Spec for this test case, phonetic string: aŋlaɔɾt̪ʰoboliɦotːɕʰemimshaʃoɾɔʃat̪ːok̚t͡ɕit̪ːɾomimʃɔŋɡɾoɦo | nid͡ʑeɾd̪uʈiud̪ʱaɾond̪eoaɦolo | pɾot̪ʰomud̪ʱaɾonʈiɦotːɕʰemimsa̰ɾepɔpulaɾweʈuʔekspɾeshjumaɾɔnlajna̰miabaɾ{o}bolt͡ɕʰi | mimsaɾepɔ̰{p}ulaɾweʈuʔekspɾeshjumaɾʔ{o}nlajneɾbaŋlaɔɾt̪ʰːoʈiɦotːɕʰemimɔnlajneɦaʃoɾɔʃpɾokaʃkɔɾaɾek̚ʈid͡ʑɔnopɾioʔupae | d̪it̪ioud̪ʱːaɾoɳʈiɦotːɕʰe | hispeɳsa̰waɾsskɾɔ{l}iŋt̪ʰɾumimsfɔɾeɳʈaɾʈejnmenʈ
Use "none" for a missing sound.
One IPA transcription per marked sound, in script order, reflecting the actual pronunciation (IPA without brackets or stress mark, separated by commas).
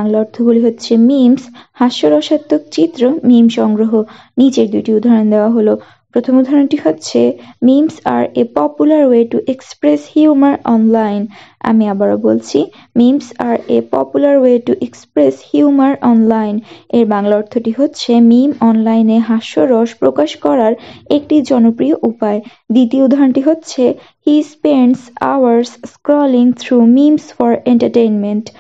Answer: o, p, ɔ, l